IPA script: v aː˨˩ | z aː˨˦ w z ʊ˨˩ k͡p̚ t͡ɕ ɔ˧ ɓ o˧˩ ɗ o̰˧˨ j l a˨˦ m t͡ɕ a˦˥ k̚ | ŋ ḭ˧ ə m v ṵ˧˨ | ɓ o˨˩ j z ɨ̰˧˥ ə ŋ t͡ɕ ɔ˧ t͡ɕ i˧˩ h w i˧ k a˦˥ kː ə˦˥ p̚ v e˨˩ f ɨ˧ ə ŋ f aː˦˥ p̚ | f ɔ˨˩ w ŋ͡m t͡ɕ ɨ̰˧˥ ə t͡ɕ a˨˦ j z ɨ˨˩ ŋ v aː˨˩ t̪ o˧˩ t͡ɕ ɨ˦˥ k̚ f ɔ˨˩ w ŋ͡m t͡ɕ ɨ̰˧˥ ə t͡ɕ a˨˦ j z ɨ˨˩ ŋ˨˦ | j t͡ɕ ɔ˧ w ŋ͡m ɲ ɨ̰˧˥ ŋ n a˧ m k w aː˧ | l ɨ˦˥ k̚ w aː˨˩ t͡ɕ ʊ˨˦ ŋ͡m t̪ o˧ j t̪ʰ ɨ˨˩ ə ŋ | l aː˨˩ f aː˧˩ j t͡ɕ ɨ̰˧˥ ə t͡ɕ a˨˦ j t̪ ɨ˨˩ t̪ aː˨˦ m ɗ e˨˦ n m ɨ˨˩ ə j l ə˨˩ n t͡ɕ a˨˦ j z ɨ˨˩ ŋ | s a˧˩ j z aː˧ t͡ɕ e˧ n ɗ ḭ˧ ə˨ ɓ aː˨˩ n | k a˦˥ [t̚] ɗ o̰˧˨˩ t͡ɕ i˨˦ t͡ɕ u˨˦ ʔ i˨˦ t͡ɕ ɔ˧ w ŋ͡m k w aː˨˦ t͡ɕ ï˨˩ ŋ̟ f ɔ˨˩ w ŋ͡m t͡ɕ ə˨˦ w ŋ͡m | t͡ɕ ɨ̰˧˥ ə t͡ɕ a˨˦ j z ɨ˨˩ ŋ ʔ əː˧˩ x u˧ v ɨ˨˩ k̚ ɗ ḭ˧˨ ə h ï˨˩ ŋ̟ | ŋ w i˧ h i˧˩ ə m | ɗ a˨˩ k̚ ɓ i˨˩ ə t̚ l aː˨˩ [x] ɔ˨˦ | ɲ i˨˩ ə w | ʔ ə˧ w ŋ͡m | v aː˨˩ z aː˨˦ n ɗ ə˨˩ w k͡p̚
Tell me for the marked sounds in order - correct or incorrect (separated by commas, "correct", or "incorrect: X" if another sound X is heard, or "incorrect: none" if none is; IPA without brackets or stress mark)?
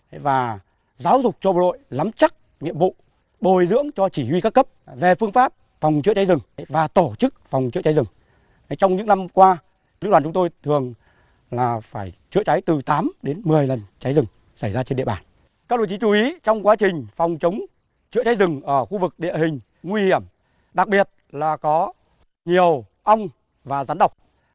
incorrect: k̚, incorrect: k